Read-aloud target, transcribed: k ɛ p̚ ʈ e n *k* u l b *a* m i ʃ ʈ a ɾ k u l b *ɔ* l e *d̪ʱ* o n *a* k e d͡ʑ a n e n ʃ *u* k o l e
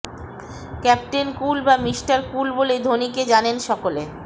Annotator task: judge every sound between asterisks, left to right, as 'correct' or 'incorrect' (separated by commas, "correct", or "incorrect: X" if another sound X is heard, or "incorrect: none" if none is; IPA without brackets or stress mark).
correct, correct, incorrect: o, correct, incorrect: i, incorrect: ɔ